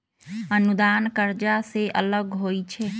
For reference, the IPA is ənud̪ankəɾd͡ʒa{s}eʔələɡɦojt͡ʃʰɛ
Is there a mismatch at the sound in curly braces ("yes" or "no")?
no